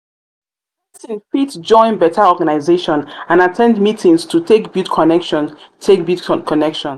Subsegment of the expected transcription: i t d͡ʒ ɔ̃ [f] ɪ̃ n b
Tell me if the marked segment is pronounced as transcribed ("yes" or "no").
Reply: no